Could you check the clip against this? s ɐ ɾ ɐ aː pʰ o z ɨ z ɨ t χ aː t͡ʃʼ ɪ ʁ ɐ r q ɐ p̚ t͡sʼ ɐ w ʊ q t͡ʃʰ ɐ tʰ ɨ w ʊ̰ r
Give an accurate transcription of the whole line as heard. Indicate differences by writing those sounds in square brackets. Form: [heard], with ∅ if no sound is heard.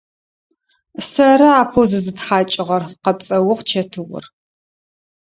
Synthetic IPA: s ɐ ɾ ɐ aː pʰ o z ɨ z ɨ t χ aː t͡ʃʼ ɪ ʁ ɐ r q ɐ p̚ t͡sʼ ɐ w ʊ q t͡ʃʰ ɐ tʰ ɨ w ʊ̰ r